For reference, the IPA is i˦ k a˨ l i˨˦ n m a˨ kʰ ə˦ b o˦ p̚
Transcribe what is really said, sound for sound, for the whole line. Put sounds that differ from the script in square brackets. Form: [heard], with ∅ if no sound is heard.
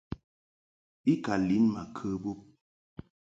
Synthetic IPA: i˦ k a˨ l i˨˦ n m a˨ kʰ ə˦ b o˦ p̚